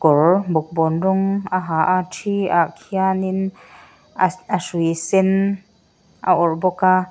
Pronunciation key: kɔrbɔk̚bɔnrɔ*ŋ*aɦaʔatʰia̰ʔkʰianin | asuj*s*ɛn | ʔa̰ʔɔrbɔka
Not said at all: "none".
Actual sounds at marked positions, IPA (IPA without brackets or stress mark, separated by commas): ŋ, s